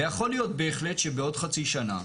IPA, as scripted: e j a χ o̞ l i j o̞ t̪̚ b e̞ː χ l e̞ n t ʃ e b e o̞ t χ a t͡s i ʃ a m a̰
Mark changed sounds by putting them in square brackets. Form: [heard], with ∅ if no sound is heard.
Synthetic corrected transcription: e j a χ o̞ l i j o̞ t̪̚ b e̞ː χ l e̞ [∅] t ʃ e b e o̞ [d] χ a t͡s i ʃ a [n] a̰